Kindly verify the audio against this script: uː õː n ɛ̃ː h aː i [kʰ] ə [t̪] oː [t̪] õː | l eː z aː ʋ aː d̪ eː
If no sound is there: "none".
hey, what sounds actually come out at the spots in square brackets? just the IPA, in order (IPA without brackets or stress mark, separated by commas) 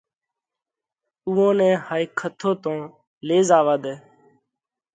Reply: kʰ, t̪ʰ, t̪